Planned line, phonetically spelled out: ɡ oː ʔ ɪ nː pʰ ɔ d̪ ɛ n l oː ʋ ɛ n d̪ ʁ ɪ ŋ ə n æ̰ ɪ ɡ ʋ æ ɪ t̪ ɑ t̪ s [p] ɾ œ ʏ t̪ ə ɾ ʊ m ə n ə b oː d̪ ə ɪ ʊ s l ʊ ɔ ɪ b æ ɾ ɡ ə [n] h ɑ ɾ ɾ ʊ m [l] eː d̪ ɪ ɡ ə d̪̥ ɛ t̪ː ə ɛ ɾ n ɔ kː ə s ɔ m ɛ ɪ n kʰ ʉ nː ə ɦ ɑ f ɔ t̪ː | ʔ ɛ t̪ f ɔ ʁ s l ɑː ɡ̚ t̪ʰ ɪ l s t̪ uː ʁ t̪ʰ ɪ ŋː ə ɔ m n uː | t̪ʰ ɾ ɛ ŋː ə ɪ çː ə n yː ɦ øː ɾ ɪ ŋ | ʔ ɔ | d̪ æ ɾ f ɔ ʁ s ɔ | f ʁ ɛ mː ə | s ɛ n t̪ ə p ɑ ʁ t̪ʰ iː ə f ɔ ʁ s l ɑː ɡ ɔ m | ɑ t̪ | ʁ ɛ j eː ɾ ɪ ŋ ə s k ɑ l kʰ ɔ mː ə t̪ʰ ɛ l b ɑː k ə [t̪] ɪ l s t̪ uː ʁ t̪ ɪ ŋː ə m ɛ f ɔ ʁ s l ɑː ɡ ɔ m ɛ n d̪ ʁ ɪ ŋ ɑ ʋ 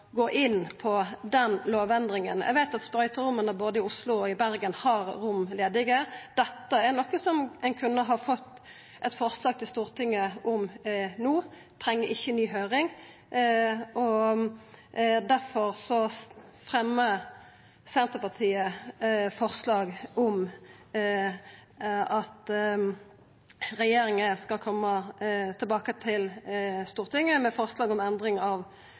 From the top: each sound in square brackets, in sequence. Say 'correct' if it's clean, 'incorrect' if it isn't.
correct, correct, correct, incorrect

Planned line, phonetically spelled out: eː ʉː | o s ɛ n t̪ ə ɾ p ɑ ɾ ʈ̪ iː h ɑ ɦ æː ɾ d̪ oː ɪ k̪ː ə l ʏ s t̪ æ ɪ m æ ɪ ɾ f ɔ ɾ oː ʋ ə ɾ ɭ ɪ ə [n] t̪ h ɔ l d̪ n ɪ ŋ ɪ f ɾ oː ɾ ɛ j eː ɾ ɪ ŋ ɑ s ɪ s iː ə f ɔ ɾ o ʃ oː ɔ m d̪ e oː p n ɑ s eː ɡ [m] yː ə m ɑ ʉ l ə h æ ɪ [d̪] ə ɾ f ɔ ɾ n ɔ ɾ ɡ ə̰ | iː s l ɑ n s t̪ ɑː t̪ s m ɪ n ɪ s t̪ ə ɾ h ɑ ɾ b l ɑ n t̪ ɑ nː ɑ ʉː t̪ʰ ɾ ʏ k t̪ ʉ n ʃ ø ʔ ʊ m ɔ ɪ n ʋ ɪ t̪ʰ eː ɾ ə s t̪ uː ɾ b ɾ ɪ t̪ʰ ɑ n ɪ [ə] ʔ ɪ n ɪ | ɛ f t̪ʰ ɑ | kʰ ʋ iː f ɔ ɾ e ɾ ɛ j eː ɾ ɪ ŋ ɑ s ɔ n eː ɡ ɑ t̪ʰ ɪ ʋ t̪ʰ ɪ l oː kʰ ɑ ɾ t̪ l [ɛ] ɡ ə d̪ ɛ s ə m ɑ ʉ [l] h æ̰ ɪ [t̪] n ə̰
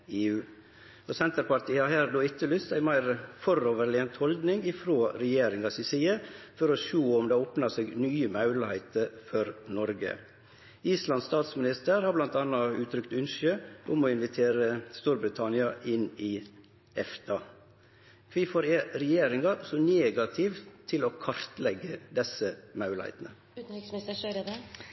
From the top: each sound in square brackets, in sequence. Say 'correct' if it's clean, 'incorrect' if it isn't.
correct, incorrect, incorrect, incorrect, correct, correct, correct

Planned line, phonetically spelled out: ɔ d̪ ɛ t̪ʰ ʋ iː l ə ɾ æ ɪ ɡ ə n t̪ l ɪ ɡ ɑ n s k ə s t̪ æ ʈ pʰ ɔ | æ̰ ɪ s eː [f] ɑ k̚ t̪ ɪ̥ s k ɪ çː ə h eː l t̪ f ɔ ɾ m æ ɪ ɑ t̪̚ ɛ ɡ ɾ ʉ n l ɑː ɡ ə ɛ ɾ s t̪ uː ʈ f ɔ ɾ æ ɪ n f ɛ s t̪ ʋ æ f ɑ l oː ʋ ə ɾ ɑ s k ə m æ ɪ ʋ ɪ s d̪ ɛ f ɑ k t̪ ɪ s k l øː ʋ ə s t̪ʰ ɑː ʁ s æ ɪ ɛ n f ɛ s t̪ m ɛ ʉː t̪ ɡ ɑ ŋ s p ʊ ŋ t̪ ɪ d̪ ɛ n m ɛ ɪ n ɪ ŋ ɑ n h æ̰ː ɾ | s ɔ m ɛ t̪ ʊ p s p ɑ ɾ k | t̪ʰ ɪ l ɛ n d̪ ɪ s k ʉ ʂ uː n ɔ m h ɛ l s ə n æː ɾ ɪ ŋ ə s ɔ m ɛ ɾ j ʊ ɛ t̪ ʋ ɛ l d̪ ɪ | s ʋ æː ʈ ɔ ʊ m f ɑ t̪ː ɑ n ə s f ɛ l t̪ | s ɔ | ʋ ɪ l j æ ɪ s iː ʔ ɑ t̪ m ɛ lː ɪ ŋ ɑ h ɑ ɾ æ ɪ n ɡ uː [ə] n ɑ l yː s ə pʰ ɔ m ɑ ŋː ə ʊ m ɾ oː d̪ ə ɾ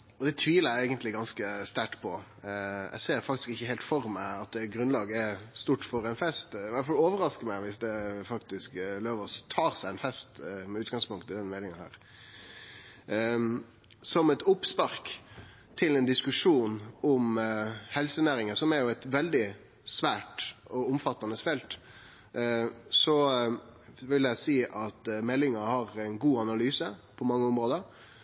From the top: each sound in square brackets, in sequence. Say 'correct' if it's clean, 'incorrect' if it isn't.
correct, incorrect

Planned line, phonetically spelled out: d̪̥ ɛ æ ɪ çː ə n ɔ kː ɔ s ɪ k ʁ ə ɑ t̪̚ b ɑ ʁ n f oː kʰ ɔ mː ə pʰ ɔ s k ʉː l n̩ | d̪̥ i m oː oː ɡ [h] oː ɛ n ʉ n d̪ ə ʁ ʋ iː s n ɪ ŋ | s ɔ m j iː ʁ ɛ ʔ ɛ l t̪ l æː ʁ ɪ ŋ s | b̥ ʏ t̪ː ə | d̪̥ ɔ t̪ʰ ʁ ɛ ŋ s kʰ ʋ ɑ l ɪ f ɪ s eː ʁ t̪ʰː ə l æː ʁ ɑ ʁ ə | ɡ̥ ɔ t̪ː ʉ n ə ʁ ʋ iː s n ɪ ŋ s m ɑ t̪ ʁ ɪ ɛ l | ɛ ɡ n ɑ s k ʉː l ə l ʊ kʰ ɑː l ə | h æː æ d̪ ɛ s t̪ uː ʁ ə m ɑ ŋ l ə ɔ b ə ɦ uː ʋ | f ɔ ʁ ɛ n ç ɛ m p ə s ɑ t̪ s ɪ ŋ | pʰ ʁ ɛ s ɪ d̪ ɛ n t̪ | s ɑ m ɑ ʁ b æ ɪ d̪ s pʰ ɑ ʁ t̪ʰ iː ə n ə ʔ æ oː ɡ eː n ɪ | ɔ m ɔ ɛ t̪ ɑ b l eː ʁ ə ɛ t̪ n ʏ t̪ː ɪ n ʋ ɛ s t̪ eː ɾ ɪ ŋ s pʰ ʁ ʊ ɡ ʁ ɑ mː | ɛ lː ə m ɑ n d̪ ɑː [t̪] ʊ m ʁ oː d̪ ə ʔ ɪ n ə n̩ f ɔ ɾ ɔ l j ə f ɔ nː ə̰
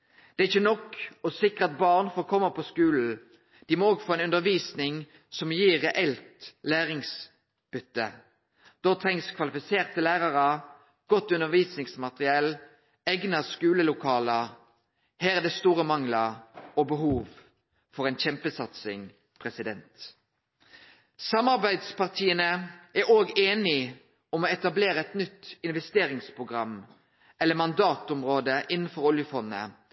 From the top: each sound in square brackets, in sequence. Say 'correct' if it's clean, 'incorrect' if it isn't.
incorrect, correct

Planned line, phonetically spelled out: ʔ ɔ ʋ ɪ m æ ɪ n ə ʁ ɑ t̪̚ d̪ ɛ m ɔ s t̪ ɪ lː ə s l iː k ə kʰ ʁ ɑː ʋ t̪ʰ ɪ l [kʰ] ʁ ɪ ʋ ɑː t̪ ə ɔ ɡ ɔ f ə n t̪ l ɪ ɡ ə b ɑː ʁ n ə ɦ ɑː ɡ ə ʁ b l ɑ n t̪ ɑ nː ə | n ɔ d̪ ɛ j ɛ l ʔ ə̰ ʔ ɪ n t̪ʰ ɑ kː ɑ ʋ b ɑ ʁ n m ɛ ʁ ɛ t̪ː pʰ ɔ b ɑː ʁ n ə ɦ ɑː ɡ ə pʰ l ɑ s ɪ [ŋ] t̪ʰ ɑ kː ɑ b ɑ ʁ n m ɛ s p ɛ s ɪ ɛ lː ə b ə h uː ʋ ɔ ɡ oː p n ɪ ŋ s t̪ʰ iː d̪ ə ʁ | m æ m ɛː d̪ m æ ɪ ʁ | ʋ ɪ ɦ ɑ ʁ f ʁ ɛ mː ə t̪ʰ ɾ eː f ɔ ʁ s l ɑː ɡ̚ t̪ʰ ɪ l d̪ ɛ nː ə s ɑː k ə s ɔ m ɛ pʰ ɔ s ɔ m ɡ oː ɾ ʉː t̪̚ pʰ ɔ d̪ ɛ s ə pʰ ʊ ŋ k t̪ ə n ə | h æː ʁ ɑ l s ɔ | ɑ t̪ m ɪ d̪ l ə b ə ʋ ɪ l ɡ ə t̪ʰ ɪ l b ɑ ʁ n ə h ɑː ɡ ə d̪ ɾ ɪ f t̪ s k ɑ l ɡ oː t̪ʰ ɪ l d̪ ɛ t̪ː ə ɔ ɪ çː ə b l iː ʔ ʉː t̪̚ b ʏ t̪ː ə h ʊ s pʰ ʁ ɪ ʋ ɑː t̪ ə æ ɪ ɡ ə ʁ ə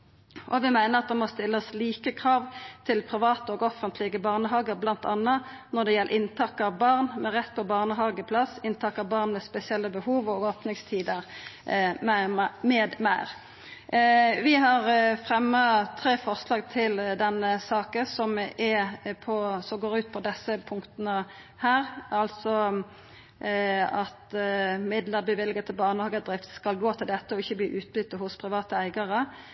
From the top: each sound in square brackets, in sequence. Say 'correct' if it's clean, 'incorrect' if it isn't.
incorrect, incorrect

